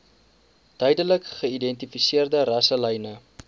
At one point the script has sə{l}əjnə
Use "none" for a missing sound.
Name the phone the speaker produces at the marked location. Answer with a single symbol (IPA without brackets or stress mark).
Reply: l